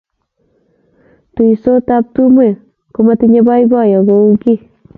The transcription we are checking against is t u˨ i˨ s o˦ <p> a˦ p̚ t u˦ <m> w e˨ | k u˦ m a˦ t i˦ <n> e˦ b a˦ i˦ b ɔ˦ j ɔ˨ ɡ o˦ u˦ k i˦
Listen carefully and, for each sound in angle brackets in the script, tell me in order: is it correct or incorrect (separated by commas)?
incorrect, correct, incorrect